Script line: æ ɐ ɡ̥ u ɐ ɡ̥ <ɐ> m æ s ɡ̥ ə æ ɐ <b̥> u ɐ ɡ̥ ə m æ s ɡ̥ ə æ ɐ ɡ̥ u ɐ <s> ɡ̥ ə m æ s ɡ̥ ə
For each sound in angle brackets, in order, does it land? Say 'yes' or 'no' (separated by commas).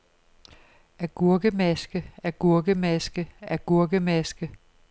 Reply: no, no, no